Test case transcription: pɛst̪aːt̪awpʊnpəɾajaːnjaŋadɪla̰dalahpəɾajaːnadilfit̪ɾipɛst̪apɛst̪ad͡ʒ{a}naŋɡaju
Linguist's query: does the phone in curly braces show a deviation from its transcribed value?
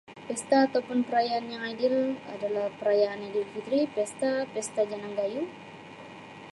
no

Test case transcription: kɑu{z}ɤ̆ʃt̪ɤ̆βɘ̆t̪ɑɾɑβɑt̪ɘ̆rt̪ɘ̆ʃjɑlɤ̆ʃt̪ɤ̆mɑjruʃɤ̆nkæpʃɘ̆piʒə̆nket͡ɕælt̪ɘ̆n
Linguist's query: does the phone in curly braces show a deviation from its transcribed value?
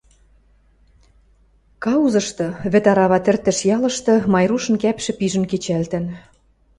no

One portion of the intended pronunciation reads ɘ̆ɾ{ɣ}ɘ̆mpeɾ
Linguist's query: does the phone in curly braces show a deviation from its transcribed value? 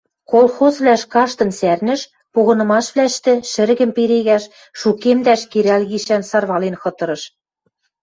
no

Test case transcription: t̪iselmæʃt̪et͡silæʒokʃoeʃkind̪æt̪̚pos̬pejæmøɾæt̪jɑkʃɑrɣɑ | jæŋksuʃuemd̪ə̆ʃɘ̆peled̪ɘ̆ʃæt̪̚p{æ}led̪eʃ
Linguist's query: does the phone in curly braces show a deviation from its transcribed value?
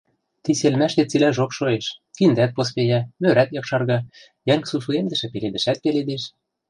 yes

